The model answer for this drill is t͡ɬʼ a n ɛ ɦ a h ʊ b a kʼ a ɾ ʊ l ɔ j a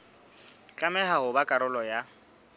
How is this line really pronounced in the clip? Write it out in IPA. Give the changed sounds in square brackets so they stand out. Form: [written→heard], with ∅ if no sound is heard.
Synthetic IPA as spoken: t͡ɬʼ a [n→m] ɛ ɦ a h ʊ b a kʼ a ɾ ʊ l ɔ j a